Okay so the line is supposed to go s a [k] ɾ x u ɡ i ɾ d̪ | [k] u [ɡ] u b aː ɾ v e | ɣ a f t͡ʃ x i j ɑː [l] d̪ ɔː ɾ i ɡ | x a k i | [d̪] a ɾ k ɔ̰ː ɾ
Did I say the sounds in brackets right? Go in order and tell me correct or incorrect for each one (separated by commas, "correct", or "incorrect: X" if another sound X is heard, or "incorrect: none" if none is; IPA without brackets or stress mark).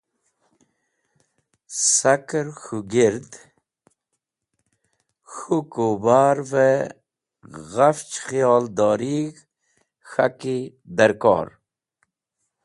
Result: correct, incorrect: x, incorrect: k, correct, correct